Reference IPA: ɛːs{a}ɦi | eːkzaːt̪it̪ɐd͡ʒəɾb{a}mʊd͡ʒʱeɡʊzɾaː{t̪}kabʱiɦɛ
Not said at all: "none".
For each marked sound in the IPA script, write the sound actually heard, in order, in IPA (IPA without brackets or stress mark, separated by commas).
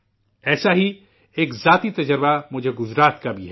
a, a, t̪